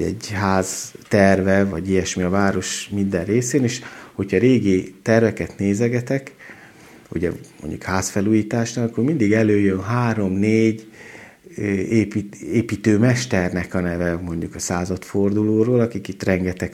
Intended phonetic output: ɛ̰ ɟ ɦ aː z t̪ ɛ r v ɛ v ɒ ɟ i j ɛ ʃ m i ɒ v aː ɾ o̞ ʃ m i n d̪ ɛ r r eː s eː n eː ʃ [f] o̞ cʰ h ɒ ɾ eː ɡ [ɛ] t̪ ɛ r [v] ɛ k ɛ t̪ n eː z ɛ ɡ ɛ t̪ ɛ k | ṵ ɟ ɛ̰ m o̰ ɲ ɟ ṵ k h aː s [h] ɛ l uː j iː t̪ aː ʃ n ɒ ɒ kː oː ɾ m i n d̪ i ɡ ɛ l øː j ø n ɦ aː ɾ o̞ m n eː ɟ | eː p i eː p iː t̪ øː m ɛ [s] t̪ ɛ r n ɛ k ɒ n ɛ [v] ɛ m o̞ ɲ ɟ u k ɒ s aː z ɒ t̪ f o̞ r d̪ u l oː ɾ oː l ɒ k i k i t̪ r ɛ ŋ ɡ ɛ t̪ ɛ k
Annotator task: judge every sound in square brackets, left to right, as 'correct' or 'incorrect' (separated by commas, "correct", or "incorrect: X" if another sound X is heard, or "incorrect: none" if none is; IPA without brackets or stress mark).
incorrect: h, incorrect: i, correct, incorrect: f, incorrect: ʃ, correct